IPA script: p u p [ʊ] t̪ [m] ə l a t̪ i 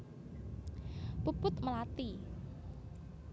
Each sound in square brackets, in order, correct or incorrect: correct, correct

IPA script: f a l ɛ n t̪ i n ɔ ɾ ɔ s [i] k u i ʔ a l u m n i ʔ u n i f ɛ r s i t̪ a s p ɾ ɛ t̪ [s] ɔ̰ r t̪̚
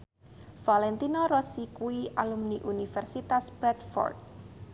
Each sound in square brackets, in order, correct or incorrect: correct, incorrect

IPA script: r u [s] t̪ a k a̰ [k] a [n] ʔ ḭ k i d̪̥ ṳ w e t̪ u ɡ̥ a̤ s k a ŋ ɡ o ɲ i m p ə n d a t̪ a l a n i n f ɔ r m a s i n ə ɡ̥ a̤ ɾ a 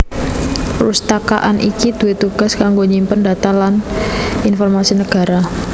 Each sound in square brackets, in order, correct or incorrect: correct, incorrect, correct

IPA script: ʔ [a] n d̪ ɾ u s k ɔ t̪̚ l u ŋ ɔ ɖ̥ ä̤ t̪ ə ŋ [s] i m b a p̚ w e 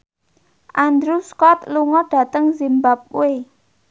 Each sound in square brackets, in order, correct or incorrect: correct, incorrect

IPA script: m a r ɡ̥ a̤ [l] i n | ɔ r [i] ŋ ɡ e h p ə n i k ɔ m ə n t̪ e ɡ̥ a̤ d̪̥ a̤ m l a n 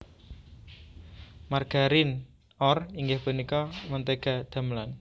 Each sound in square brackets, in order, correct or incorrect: incorrect, correct

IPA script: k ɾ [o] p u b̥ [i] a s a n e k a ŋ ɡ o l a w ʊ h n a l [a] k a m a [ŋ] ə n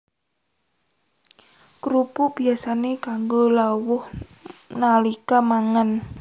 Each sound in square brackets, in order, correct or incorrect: incorrect, correct, incorrect, correct

